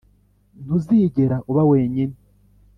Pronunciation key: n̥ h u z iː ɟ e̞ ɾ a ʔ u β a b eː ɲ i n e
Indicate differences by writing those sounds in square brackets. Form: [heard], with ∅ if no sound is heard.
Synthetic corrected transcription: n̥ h u z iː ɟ e̞ ɾ a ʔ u β a [w] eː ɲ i n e